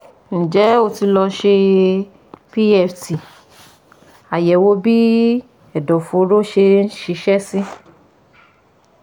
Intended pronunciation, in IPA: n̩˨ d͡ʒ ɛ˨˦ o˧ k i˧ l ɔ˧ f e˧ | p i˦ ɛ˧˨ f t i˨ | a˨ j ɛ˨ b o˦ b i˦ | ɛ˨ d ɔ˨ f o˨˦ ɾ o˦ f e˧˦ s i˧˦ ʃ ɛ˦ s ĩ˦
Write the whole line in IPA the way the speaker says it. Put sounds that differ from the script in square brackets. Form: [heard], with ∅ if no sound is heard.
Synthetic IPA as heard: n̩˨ d͡ʒ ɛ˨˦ o˧ [t] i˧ l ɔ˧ [ʃ] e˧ | p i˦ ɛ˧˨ f t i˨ | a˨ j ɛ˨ [w] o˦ b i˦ | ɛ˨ d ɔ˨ f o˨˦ ɾ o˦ [ʃ] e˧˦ [ʃ] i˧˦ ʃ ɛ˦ s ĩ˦